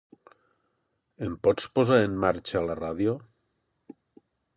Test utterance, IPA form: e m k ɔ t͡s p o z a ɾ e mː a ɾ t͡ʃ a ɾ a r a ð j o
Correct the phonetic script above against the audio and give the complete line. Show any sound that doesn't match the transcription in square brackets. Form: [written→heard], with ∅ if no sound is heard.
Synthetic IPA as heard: e m [k→p] ɔ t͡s p o z a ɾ e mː a ɾ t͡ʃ a [ɾ→l] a r a ð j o